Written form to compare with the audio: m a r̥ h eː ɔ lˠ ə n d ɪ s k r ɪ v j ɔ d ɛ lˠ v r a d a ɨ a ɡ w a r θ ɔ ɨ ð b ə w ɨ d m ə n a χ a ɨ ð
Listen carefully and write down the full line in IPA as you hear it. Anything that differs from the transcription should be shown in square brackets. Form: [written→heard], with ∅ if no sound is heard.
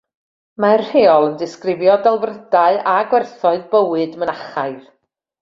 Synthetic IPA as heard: m a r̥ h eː ɔ lˠ ə n d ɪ s k r ɪ v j ɔ d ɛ lˠ v r [a→ə] d a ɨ a ɡ w [a→ɛ] r θ ɔ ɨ ð b ə w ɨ d m ə n a χ a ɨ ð